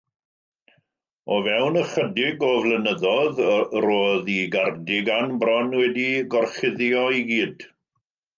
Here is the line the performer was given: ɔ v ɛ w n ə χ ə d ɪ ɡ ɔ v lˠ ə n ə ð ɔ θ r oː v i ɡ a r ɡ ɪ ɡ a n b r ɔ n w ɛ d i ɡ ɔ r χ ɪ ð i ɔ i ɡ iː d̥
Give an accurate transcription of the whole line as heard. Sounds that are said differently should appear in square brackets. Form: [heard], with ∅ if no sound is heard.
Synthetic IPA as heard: ɔ v ɛ w n ə χ ə d ɪ ɡ ɔ v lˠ ə n ə ð ɔ [ð] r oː [ð] i ɡ a r [d] ɪ ɡ a n b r ɔ n w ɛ d i ɡ ɔ r χ ɪ ð [j] ɔ i ɡ iː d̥